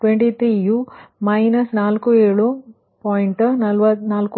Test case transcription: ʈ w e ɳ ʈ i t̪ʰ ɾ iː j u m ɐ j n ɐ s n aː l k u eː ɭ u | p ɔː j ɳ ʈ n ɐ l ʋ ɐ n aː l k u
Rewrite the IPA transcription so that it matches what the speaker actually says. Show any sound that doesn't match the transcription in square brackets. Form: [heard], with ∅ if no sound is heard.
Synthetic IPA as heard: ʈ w e ɳ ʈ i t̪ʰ ɾ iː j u m ɐ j n ɐ s n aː l k u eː ɭ u | p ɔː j ɳ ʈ n ɐ l ʋ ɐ n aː l k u